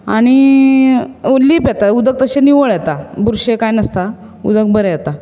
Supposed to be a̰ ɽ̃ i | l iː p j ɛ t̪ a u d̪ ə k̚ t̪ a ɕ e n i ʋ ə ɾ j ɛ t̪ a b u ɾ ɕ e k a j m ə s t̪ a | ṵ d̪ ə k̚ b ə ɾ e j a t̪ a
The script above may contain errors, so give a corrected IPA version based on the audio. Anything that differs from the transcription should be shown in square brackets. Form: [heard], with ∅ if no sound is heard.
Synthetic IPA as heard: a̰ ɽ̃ i | l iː p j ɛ t̪ a u d̪ ə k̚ t̪ [ə] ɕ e n i ʋ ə [ɭ] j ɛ t̪ a b u ɾ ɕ e k a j [n] ə s t̪ a | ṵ d̪ ə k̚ b ə ɾ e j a t̪ a